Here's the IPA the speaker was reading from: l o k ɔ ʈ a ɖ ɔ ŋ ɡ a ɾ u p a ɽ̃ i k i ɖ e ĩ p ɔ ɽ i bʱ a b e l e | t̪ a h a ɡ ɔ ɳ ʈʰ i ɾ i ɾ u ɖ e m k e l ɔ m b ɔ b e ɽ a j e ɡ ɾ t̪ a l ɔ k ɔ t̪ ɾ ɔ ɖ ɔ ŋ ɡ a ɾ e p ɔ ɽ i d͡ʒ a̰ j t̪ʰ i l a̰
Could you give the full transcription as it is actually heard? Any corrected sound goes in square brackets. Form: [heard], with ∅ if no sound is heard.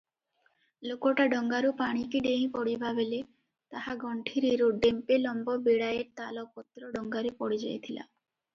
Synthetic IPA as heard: l o k ɔ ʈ a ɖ ɔ ŋ ɡ a ɾ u p a ɽ̃ i k i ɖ e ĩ p ɔ ɽ i bʱ a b e l e | t̪ a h a ɡ ɔ ɳ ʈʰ i ɾ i ɾ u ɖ e m [p] e l ɔ m b ɔ b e ɽ a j e [∅] ɾ t̪ a l ɔ k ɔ t̪ ɾ ɔ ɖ ɔ ŋ ɡ a ɾ e p ɔ ɽ i d͡ʒ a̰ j t̪ʰ i l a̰

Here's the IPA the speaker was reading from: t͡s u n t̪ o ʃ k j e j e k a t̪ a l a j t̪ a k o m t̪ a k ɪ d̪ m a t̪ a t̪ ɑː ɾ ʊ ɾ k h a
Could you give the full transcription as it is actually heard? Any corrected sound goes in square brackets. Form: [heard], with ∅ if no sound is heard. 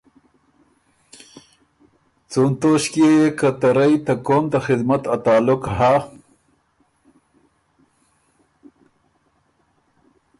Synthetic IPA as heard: t͡s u n t̪ o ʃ k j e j e k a t̪ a [ɾ] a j t̪ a k o m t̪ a [x] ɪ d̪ m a t̪ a t̪ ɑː [l] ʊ [∅] k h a

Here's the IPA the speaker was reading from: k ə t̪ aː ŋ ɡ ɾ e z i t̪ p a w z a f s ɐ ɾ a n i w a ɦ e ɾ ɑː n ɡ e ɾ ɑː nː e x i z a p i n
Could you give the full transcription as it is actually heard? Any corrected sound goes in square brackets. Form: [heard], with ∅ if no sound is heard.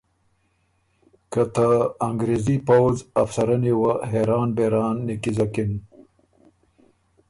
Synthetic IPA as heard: k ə t̪ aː ŋ ɡ ɾ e z i [∅] p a w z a f s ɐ ɾ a n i w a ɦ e ɾ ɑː n [b] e ɾ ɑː nː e [k] i z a [k] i n

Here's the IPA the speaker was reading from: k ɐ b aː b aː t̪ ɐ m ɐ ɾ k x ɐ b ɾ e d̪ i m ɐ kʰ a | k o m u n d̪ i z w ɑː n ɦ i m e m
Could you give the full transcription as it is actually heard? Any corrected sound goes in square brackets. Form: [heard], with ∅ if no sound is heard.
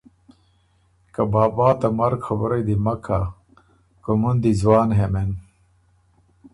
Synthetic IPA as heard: k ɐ b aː b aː t̪ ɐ m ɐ ɾ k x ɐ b ɾ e d̪ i m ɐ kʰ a | k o m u n d̪ i z w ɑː n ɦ [e] m e [n]

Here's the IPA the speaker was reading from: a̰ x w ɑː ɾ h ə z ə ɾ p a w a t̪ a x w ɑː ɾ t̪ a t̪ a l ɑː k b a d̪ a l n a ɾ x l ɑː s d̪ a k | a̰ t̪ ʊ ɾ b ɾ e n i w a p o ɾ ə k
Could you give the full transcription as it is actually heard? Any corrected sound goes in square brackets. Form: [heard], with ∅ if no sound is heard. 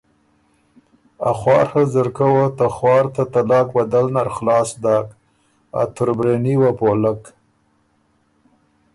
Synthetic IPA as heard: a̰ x w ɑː ɾ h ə z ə ɾ [k] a w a t̪ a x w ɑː ɾ t̪ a t̪ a l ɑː k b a d̪ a l n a ɾ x l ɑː s d̪ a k | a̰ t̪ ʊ ɾ b ɾ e n i w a p o [l] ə k

